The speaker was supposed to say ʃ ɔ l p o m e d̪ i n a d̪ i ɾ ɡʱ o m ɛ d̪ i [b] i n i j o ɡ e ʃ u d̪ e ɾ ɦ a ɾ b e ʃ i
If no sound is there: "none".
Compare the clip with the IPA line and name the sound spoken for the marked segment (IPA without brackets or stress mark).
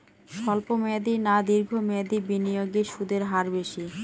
b